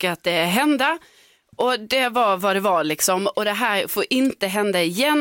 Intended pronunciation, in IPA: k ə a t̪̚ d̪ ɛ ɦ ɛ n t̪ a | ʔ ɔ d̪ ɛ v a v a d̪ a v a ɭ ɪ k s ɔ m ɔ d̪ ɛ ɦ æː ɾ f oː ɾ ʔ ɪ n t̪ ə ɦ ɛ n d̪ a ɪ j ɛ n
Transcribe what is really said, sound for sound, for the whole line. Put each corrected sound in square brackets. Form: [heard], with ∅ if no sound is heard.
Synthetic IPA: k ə a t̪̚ d̪ ɛ ɦ ɛ n [d̪] a | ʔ ɔ d̪ ɛ v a v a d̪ [ɛ] v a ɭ ɪ k s ɔ m ɔ d̪ ɛ ɦ æː ɾ f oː ɾ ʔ ɪ n t̪ ə ɦ ɛ n d̪ a ɪ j ɛ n